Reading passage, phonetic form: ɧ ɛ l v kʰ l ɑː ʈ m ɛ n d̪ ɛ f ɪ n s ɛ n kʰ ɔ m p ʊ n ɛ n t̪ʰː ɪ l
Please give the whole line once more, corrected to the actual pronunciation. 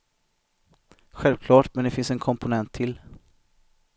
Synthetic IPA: ɧ ɛ l v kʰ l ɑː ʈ m ɛ n d̪ ɛ f ɪ n s ɛ n kʰ ɔ m p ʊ n ɛ n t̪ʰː ɪ l

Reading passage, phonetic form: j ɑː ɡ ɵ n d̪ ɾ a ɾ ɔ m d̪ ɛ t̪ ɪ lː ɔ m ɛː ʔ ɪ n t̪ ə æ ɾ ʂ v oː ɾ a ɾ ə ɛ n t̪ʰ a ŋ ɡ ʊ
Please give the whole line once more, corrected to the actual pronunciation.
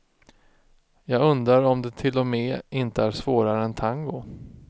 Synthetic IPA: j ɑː ɡ ɵ n d̪ ɾ a ɾ ɔ m d̪ ɛ t̪ʰ ɪ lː ɔ m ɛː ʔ ɪ n t̪ ə æ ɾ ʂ v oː ɾ a ɾ ə ɛ n t̪ʰ a ŋ ɡ ʊ

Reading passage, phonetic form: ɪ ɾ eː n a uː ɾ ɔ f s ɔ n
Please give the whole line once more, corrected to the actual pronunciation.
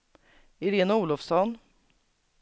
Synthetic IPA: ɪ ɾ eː n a uː l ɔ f s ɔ n

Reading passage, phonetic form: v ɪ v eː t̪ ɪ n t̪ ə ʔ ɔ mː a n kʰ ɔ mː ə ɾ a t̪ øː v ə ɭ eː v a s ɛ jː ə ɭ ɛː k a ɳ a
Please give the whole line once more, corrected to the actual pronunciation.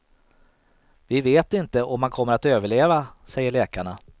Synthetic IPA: v ɪ v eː t̪ ɪ n t̪ ə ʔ ɔ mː a n kʰ ɔ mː ə ɾ a t̪ øː v ə ɭ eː v a s ɛ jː ə ɭ ɛː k a ɳ a

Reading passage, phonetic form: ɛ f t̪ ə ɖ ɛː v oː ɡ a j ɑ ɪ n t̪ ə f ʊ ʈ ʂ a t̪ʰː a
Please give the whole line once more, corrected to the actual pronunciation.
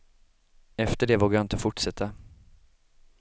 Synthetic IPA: ɛ f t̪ ə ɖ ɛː v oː ɡ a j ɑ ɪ n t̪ ə f ʊ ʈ ʂ ɛ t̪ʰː a

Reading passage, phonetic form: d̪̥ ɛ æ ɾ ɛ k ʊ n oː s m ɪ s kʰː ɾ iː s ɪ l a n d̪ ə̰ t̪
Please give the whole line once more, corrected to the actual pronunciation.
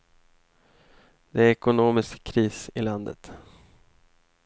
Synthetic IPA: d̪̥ ɛ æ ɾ ɛ k ʊ n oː m ɪ s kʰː ɾ iː s ɪ l a n d̪ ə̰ t̪

